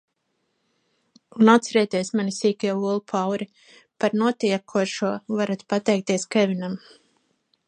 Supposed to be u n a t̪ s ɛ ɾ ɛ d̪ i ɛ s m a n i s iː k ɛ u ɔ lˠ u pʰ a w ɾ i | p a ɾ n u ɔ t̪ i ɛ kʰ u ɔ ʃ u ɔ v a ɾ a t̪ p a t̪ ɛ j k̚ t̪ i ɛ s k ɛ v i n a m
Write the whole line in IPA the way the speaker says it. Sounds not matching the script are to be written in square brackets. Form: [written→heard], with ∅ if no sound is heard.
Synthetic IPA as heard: u n a t̪ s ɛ ɾ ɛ [d̪→t̪] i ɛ s m a n i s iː k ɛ u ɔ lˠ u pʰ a w ɾ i | p a ɾ n u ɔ t̪ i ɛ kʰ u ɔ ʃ u ɔ v a ɾ a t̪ p a t̪ ɛ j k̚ t̪ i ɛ s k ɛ v i n a m